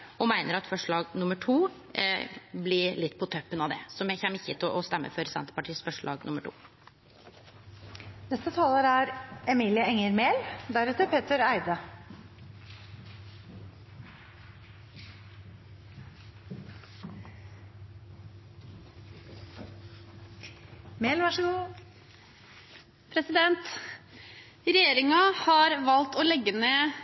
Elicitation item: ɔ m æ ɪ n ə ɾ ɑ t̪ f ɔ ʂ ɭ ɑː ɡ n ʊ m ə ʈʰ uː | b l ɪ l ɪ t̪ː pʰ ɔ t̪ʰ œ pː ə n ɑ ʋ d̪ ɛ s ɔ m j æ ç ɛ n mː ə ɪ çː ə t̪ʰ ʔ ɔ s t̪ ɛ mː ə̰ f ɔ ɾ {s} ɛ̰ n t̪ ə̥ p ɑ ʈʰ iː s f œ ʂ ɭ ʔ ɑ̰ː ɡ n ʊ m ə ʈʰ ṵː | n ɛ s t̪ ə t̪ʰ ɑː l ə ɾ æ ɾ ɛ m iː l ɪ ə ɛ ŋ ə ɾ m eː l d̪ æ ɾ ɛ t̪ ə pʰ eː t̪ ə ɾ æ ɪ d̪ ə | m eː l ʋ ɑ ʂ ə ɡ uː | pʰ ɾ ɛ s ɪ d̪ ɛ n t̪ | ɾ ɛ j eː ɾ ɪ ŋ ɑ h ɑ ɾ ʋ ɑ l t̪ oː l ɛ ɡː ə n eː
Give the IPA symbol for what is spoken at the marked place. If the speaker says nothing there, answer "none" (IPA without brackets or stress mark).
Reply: s